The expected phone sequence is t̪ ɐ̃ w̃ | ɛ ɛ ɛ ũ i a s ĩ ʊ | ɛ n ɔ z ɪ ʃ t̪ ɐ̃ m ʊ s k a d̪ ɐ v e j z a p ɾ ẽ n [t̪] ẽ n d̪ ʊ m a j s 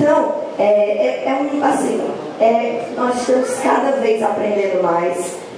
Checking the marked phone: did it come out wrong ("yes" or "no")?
yes